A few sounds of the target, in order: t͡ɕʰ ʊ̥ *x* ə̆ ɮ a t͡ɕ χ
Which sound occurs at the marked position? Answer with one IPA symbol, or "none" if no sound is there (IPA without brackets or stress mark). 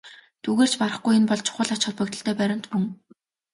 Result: χ